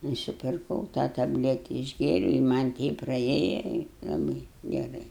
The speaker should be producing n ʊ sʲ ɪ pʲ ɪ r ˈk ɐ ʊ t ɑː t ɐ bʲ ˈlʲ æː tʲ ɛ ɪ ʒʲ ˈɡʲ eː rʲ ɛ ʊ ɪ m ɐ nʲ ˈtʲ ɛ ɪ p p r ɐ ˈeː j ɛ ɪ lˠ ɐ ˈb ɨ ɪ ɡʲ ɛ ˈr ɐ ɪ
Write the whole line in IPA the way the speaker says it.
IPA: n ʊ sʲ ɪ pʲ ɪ r ˈk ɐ ʊ t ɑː t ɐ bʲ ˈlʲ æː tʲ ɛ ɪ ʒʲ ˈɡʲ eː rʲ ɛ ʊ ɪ m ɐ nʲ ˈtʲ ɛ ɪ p p r ɐ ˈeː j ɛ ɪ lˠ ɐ ˈb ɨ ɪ ɡʲ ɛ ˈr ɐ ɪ

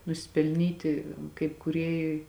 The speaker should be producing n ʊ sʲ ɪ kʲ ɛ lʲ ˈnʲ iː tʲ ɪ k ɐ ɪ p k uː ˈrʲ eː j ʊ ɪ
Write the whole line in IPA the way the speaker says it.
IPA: n ʊ sʲ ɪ pʲ ɛ lʲ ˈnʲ iː tʲ ɪ k ɐ ɪ p k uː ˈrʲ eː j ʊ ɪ

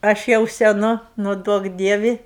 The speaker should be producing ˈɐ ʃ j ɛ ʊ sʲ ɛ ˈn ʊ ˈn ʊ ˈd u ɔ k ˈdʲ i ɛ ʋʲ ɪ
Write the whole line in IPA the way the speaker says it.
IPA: ˈɐ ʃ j ɛ ʊ sʲ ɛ ˈn ʊ ˈn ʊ ˈd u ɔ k ˈdʲ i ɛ ʋʲ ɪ

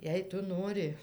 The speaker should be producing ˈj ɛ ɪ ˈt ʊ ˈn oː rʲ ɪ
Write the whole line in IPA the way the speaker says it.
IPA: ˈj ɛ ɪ ˈt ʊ ˈn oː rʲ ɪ

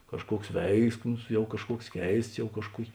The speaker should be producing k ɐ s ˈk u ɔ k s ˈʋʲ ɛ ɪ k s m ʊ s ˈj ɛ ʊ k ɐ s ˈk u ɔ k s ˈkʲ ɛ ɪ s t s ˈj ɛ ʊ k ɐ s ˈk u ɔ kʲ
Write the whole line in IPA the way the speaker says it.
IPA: k ɐ ʃ ˈk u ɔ k s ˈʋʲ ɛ ɪ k s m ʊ s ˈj ɛ ʊ k ɐ ʃ ˈk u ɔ k s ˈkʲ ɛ ɪ s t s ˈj ɛ ʊ k ɐ ʃ ˈk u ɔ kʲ

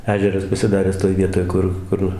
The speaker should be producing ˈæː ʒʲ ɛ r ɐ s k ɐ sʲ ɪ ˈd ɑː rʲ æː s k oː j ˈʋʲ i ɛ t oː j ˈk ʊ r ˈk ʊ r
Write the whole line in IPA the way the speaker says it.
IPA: ˈæː ʒʲ ɛ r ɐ s p ɐ sʲ ɪ ˈd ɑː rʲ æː s t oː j ˈʋʲ i ɛ t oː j ˈk ʊ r ˈk ʊ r

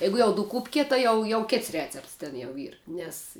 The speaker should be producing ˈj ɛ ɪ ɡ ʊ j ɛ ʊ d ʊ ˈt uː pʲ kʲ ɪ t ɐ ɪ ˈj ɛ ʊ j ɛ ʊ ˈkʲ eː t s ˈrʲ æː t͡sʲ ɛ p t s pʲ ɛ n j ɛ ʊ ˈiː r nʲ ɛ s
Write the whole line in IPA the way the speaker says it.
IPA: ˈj ɛ ɪ ɡ ʊ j ɛ ʊ d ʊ ˈk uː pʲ kʲ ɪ t ɐ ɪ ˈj ɛ ʊ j ɛ ʊ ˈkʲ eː t s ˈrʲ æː t͡sʲ ɛ p t s tʲ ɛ n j ɛ ʊ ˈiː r nʲ ɛ s

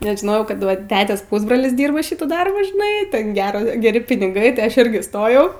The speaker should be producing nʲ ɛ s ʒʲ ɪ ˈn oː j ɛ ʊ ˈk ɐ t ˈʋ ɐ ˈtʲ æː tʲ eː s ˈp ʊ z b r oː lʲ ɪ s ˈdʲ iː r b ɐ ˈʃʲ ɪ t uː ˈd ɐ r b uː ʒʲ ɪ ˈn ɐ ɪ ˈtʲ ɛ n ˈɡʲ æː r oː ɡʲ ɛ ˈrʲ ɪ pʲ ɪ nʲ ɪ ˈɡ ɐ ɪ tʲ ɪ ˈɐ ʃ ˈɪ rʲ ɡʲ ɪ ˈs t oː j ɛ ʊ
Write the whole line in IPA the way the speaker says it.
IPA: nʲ ɛ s ʒʲ ɪ ˈn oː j ɛ ʊ ˈk ɐ t ˈʋ ɐ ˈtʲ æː tʲ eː s ˈp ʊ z b r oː lʲ ɪ s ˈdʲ iː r b ɐ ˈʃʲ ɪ t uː ˈd ɐ r b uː ʒʲ ɪ ˈn ɐ ɪ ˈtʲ ɛ n ˈɡʲ æː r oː ɡʲ ɛ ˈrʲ ɪ pʲ ɪ nʲ ɪ ˈɡ ɐ ɪ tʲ ɪ ˈɐ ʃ ˈɪ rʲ ɡʲ ɪ ˈs t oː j ɛ ʊ

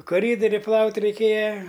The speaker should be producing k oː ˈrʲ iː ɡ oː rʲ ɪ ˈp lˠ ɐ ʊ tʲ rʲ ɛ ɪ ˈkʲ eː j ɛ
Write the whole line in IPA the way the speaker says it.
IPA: k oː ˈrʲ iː d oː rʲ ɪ ˈp lˠ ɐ ʊ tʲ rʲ ɛ ɪ ˈkʲ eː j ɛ

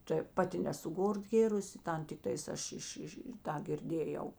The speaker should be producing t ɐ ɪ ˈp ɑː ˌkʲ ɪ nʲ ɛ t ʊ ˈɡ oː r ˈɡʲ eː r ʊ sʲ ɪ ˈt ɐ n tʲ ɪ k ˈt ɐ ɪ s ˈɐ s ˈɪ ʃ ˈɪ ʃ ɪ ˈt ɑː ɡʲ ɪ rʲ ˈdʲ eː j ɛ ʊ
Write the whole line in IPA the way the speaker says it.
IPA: t ɐ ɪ ˈp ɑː ˌtʲ ɪ nʲ ɛ s ʊ ˈɡ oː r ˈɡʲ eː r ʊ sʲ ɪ ˈt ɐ n tʲ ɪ k ˈt ɐ ɪ s ˈɐ ʃ ˈɪ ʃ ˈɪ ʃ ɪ ˈt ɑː ɡʲ ɪ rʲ ˈdʲ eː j ɛ ʊ

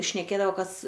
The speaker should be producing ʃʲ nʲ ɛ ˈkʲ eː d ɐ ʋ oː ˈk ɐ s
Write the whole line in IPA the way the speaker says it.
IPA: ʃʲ nʲ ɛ ˈkʲ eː d ɐ ʋ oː ˈk ɐ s

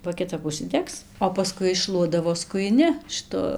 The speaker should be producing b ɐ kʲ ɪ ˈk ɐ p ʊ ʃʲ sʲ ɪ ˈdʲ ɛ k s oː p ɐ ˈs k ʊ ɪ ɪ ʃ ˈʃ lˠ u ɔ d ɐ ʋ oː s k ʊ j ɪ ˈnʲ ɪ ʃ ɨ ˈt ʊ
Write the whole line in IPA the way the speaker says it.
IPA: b ɐ kʲ ɪ ˈt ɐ p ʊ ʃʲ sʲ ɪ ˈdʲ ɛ k s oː p ɐ ˈs k ʊ ɪ ɪ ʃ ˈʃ lˠ u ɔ d ɐ ʋ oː s k ʊ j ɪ ˈnʲ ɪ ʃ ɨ ˈt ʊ

